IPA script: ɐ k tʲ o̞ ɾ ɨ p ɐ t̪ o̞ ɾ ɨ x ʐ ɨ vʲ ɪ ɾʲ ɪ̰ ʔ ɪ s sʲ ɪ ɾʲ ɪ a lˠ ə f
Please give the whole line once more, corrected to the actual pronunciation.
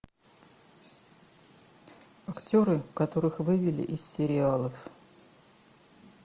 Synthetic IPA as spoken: ɐ k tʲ o̞ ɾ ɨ k ɐ t̪ o̞ ɾ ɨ x v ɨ vʲ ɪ lʲ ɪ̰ ʔ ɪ s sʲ ɪ ɾʲ ɪ a lˠ ə f